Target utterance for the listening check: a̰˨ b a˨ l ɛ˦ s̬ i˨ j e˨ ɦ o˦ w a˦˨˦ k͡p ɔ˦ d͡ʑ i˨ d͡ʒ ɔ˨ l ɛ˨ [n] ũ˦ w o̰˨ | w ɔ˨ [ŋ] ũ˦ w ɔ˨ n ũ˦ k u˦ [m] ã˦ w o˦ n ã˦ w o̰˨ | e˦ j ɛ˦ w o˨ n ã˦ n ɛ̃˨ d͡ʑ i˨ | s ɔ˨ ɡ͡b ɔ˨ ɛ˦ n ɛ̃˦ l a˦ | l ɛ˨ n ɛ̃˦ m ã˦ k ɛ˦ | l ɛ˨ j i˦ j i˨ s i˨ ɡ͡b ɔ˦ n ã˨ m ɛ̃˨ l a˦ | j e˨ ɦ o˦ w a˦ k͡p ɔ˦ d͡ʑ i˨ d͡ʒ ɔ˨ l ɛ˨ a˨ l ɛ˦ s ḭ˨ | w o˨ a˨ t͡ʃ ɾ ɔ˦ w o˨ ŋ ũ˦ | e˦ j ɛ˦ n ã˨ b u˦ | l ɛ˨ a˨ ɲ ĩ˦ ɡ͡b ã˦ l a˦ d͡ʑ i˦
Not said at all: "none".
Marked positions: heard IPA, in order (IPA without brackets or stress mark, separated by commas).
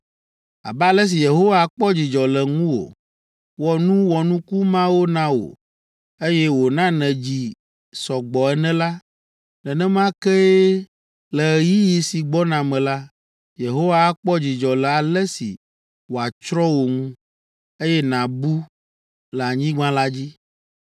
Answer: ŋ, n, m